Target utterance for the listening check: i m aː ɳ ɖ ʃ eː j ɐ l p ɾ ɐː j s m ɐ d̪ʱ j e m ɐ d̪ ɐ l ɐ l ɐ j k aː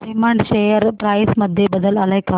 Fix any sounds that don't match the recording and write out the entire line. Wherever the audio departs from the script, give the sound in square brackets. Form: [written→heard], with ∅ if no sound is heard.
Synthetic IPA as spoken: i m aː ɳ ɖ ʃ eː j ɐ [l→ɾ] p ɾ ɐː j s m ɐ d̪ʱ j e [m→b] ɐ d̪ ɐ l ɐ l ɐ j k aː